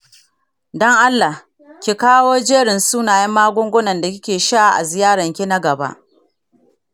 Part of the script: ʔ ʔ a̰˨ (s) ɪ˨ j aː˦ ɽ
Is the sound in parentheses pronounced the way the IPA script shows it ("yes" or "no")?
no